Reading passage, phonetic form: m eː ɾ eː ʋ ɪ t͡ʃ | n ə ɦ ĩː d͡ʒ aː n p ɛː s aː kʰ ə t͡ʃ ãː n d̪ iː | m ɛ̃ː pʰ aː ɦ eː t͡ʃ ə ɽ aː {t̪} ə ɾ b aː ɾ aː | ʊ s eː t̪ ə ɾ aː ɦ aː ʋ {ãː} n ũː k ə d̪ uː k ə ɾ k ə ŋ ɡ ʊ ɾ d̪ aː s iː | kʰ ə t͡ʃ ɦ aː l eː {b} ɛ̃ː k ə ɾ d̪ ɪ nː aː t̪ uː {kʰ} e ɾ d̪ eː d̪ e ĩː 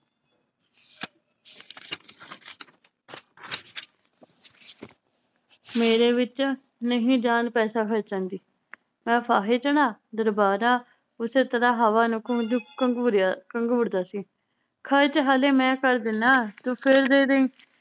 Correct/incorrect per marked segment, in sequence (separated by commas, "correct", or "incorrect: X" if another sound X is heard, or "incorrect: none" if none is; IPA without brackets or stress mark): incorrect: d̪, incorrect: aː, incorrect: m, incorrect: pʰ